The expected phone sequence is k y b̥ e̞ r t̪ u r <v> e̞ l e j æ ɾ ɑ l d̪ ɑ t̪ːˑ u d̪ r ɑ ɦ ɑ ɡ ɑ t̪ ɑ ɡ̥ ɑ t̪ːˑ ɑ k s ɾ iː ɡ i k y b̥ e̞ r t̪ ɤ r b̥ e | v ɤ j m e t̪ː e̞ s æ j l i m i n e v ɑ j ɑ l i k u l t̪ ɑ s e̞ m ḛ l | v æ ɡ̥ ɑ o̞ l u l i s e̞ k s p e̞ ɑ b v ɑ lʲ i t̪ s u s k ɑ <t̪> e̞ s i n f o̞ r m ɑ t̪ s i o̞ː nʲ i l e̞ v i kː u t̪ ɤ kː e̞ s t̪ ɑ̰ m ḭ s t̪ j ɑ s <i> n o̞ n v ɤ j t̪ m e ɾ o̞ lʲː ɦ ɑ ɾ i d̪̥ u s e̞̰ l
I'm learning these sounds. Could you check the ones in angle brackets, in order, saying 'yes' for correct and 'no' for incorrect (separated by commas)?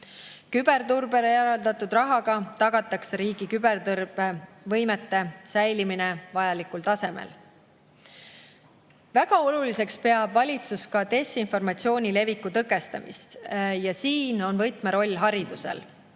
no, yes, no